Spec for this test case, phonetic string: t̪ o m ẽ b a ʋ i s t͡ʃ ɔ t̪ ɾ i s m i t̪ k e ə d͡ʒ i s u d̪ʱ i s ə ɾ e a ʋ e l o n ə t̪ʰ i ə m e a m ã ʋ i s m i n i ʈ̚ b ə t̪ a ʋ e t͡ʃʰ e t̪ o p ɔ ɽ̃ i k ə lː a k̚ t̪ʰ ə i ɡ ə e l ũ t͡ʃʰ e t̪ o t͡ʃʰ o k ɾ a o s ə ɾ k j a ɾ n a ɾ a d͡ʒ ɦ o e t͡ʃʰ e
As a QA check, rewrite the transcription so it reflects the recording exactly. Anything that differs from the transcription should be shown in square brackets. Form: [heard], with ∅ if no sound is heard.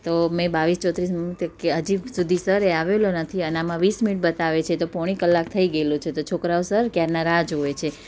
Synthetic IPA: t̪ o m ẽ b a ʋ i s t͡ʃ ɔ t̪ ɾ i s m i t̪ k e ə d͡ʒ i s u d̪ʱ i s ə ɾ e a ʋ e l o n ə t̪ʰ i ə [n] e a m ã ʋ i s m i n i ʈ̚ b ə t̪ a ʋ e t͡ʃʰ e t̪ o p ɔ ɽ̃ i k ə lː a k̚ t̪ʰ ə i ɡ ə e l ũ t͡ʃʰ e t̪ o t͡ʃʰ o k ɾ a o s ə ɾ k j a ɾ n a ɾ a d͡ʒ ɦ o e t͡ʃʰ e